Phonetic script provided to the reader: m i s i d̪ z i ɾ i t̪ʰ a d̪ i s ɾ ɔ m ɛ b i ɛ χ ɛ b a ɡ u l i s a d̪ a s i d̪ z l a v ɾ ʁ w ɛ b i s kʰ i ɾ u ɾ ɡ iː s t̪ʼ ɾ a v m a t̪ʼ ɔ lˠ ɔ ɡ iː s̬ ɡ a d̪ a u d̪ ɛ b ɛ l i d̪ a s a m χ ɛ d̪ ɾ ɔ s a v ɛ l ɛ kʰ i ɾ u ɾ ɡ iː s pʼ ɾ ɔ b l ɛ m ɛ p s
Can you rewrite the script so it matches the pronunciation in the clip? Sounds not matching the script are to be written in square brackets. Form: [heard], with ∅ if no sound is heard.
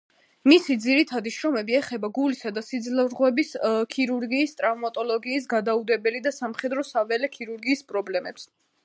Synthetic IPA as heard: m i s i d̪ z i ɾ i t̪ʰ a d̪ i [ʃ] ɾ ɔ m ɛ b i ɛ χ ɛ b a ɡ u l i s a d̪ a s i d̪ z l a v ɾ ʁ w ɛ b i s kʰ i ɾ u ɾ ɡ iː s t̪ʼ ɾ a v m a t̪ʼ ɔ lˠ ɔ ɡ iː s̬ ɡ a d̪ a u d̪ ɛ b ɛ l i d̪ a s a m χ ɛ d̪ ɾ ɔ s a v ɛ l ɛ kʰ i ɾ u ɾ ɡ iː s pʼ ɾ ɔ b l ɛ m ɛ p s